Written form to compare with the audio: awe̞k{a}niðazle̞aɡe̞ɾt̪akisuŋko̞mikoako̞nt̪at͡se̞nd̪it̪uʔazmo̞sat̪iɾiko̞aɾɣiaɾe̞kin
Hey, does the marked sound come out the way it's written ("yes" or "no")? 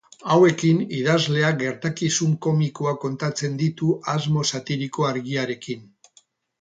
no